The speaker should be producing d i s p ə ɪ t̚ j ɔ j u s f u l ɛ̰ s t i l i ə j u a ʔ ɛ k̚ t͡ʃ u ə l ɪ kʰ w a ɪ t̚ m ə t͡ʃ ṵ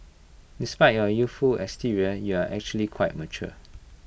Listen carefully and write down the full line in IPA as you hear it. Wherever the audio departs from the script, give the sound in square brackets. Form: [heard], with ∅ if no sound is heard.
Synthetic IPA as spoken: d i s p [a] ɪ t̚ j ɔ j u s f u l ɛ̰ s t i [ɹ] i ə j u a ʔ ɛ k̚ t͡ʃ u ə l [i] kʰ w a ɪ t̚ m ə t͡ʃ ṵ